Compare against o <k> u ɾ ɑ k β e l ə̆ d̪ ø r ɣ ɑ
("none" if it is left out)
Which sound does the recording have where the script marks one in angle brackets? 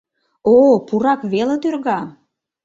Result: p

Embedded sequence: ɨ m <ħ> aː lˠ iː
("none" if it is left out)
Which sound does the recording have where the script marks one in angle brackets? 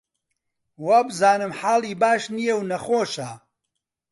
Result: ħ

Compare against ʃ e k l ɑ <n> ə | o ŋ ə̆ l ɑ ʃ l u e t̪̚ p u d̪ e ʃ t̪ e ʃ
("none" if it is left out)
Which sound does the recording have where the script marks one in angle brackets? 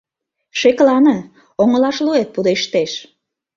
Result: n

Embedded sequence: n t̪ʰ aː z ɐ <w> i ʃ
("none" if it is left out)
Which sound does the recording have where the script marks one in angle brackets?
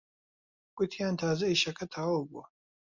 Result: none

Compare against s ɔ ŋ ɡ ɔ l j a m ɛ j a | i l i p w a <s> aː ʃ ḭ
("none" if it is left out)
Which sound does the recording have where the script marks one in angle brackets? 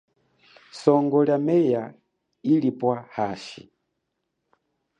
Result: h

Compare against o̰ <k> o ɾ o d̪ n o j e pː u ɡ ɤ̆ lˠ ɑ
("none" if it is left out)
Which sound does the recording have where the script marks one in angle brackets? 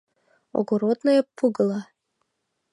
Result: ɡ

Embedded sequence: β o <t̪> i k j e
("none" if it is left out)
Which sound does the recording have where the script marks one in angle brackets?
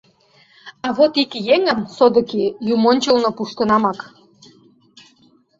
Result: t̪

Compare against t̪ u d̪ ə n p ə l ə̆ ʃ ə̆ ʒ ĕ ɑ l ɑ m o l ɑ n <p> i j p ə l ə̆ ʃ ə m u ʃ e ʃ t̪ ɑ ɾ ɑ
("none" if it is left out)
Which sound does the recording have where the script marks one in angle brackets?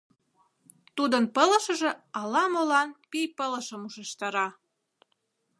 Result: p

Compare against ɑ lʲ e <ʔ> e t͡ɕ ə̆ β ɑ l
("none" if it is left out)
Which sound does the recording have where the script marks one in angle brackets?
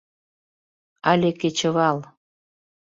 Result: k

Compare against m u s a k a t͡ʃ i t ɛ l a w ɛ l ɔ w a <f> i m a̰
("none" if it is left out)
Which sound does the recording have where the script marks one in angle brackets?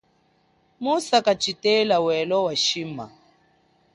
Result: ʃ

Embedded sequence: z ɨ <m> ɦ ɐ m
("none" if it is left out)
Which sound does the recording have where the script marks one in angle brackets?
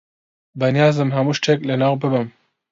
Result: m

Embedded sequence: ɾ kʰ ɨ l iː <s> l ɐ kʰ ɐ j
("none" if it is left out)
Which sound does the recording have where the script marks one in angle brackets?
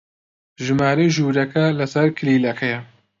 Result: none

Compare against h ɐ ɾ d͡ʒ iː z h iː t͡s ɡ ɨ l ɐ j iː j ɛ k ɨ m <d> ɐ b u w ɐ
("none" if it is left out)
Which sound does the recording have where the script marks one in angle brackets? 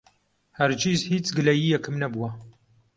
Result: n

